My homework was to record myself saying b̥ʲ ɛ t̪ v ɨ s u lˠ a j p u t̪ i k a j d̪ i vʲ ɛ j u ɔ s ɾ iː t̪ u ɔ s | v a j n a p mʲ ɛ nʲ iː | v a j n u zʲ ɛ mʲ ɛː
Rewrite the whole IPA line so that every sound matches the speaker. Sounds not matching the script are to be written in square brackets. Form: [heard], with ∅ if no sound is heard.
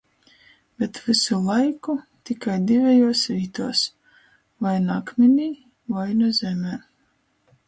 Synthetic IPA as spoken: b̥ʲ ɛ t̪ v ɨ s u lˠ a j [k] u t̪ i k a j d̪ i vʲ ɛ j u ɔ s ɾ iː t̪ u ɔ s | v a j n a [k] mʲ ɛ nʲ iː | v a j n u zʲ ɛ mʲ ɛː